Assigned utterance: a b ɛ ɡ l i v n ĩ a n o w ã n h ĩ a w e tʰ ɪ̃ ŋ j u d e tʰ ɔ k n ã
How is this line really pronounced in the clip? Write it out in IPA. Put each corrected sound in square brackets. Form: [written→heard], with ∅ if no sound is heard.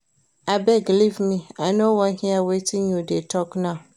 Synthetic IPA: a b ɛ ɡ l i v [n→m] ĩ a n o w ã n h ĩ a w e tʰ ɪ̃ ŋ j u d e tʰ ɔ k n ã